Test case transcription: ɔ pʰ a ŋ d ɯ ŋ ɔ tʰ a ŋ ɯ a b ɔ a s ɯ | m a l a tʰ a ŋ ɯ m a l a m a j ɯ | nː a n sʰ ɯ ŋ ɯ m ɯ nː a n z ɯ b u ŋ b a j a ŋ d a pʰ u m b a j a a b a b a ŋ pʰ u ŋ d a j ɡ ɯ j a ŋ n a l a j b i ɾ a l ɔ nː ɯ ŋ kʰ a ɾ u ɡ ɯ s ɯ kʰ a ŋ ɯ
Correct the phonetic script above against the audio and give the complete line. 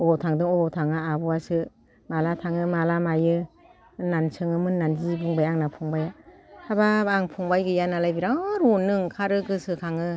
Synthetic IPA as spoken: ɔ tʰ a ŋ d ɯ ŋ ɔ tʰ a ŋ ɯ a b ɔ a s ɯ | m a l a tʰ a ŋ ɯ m a l a m a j ɯ | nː a n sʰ ɯ ŋ ɯ m ɯ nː a n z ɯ b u ŋ b a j a ŋ n a pʰ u ŋ b a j a a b a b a ŋ pʰ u ŋ b a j ɡ ɯ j a n a l a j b i ɾ a ɾ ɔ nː ɯ ŋ kʰ a ɾ ɯ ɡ ɯ s ɯ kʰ a ŋ ɯ

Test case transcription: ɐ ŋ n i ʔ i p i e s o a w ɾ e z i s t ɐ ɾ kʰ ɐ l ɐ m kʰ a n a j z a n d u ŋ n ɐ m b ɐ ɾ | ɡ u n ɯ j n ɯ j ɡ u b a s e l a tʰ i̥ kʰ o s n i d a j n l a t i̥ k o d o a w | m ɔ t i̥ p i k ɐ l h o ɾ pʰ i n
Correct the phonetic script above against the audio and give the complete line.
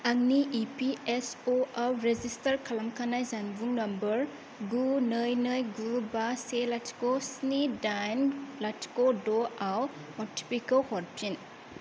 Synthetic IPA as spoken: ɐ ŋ n i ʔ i p i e s o a w ɾ e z i s t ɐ ɾ kʰ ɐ l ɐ m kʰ a n a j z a n b u ŋ n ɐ m b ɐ ɾ | ɡ u n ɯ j n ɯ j ɡ u b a s e l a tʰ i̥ k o s n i d a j n l a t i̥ k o d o a w | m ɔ t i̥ p i k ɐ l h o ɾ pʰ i n

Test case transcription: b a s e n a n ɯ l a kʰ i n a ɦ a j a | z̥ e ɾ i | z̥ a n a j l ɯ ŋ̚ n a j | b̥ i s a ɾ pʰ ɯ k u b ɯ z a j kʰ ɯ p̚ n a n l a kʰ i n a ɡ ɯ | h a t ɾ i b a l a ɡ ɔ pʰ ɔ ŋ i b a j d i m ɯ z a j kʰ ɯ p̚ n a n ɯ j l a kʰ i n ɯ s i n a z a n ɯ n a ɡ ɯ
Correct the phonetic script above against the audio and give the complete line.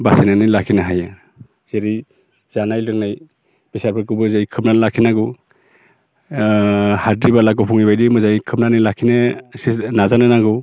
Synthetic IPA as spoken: b a s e n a n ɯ l a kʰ i n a ɦ a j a | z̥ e ɾ i | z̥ a n a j l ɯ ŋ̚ n a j | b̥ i s a ɾ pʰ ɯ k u b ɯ z a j kʰ ɯ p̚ n a n l a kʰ i n a ɡ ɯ | h a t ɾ i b a l a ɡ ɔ pʰ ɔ ŋ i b a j d i m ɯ z a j kʰ ɯ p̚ n a n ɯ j l a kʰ i n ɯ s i n a z a n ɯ n a ɡ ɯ

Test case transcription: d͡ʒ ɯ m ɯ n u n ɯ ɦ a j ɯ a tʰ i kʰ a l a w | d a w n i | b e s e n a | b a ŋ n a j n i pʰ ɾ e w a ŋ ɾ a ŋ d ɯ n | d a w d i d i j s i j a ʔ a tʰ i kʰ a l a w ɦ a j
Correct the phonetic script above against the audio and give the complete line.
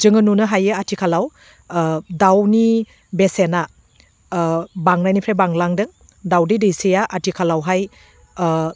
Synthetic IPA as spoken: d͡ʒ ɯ ŋ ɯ n u n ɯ ɦ a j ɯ a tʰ i kʰ a l a w | d a w n i | b e s e n a | b a ŋ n a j n i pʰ ɾ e b a ŋ l a ŋ d ɯ ŋ | d a w d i d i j s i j a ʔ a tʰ i kʰ a l a w ɦ a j

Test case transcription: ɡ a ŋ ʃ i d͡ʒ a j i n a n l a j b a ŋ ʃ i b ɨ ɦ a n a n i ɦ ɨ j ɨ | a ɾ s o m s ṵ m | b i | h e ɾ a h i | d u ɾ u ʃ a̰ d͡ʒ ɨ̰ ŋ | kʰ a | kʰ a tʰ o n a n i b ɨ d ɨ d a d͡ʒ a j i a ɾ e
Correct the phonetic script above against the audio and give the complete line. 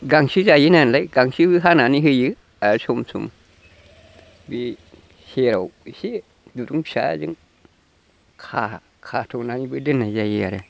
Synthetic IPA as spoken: ɡ a ŋ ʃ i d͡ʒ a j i n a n l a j ɡ a ŋ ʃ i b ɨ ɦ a n a n i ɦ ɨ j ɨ | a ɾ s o m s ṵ m | b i | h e ɾ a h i | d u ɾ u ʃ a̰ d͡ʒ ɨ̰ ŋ | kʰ a | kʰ a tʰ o n a n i b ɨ d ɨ n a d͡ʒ a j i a ɾ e

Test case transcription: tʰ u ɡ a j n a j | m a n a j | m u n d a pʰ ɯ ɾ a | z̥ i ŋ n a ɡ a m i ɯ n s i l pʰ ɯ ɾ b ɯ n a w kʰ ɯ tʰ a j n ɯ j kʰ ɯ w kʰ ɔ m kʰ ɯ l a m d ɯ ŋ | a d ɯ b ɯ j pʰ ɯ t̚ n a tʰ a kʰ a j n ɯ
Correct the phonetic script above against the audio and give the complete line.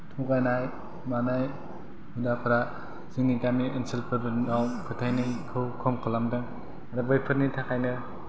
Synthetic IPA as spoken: tʰ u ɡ a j n a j | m a n a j | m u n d a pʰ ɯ ɾ a | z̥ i ŋ n i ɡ a m i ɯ n s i l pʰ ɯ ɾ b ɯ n a w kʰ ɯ tʰ a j n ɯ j kʰ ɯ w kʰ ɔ m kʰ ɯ l a m d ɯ ŋ | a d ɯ b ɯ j pʰ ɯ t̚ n i tʰ a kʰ a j n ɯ

